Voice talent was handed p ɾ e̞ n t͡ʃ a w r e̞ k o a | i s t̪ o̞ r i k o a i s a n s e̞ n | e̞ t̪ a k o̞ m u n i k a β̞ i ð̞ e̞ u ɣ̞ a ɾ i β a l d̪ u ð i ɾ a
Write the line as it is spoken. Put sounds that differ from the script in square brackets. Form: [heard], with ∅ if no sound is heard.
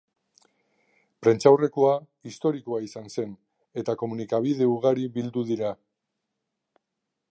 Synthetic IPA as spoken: p ɾ e̞ n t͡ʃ a w r e̞ k o a | i s t̪ o̞ [ɾ] i k o a i s a n s e̞ n | e̞ t̪ a k o̞ m u n i k a β̞ i ð̞ e̞ u ɣ̞ a ɾ i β [i] l d̪ u ð i ɾ a